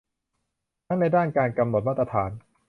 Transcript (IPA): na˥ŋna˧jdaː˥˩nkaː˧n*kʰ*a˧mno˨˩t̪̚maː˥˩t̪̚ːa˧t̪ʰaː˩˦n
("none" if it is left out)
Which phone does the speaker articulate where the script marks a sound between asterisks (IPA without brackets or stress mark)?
k